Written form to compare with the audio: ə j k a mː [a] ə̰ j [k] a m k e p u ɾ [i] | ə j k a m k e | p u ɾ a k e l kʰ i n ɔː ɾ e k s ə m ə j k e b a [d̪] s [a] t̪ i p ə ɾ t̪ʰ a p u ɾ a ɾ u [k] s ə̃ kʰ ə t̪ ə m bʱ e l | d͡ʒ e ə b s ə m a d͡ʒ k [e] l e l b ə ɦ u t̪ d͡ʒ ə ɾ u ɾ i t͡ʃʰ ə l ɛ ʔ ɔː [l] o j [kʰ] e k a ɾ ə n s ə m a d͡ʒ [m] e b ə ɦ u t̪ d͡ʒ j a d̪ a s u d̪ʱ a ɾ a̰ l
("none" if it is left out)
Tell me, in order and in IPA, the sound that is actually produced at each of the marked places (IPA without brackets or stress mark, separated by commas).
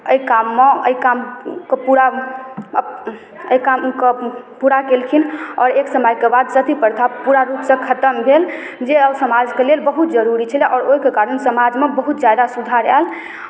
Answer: e, k, a, d̪, ə, p, e, ɾ, k, m